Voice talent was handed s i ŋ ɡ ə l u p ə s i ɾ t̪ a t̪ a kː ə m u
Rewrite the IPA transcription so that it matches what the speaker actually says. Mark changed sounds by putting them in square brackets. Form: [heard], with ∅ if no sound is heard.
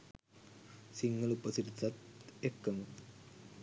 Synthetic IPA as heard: s i ŋ ɡ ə l u p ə s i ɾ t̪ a t̪ [e] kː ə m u